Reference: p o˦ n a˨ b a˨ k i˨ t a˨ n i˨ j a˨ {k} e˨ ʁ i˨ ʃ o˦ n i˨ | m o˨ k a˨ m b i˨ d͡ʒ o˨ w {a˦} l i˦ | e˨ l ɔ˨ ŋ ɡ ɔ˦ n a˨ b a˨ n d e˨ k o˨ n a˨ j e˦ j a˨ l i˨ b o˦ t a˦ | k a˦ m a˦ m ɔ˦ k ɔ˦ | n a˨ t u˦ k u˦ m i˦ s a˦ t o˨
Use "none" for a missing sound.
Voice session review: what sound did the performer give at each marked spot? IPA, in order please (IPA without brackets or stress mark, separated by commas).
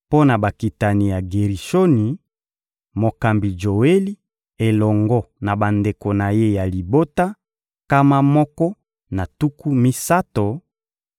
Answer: ɡ, e˦